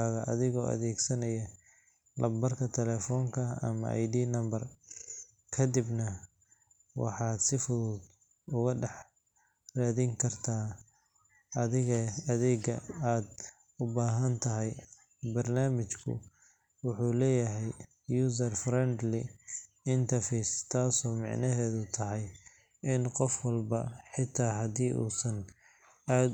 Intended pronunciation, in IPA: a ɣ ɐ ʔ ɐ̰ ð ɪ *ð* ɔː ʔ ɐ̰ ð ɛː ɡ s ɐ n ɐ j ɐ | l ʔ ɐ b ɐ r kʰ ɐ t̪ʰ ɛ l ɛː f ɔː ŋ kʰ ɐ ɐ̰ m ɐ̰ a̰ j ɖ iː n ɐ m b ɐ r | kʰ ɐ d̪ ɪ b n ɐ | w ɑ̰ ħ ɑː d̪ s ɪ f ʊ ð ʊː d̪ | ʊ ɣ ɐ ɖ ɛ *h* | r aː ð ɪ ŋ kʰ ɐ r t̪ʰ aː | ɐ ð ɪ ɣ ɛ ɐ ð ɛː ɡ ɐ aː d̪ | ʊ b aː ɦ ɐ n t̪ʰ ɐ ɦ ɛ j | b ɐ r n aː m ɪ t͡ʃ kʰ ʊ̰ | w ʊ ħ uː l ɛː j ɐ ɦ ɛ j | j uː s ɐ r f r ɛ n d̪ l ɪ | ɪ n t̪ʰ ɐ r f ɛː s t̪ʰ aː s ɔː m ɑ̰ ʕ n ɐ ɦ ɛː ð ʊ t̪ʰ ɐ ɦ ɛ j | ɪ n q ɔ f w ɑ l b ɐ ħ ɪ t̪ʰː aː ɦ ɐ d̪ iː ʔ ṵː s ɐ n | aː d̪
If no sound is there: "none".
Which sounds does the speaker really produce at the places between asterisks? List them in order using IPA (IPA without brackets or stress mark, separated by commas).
ɣ, ħ